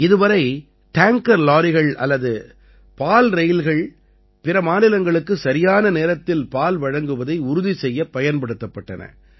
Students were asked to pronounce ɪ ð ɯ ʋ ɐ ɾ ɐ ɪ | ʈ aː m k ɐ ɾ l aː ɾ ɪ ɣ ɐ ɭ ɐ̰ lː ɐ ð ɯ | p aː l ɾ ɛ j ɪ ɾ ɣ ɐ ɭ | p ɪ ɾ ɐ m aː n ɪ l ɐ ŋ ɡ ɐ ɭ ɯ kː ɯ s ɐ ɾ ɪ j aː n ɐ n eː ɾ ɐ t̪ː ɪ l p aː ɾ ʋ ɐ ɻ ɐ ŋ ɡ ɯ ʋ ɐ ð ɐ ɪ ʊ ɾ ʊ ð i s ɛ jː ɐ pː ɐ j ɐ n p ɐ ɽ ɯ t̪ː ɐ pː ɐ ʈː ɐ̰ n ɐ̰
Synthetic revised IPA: ɪ ð ɯ ʋ ɐ ɾ ɐ ɪ | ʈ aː ŋ k ɐ ɾ l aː ɾ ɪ ɣ ɐ ɭ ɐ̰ lː ɐ ð ɯ | p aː l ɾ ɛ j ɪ l ɣ ɐ ɭ | p ɪ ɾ ɐ m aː n ɪ l ɐ ŋ ɡ ɐ ɭ ɯ kː ɯ s ɐ ɾ ɪ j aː n ɐ n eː ɾ ɐ t̪ː ɪ l p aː l ʋ ɐ ɻ ɐ ŋ ɡ ɯ ʋ ɐ ð ɐ ɪ ʊ ɾ ʊ ð i s ɛ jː ɐ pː ɐ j ɐ n p ɐ ɽ ɯ t̪ː ɐ pː ɐ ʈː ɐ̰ n ɐ̰